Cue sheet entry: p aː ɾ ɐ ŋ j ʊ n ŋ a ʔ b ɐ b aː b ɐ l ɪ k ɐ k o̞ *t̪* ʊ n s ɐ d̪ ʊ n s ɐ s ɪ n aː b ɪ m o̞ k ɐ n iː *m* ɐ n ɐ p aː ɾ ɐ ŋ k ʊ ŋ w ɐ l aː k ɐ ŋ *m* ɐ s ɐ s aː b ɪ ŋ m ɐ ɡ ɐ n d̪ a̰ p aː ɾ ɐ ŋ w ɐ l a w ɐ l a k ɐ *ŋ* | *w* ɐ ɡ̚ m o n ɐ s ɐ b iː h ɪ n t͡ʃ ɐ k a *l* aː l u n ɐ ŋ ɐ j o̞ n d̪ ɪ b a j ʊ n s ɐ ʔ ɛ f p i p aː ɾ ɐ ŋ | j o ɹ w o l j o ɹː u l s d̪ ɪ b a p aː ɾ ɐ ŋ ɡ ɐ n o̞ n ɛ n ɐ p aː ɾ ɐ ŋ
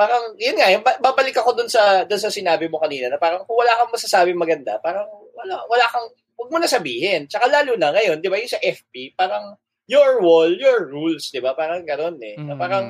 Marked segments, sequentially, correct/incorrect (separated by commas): incorrect, incorrect, correct, correct, correct, correct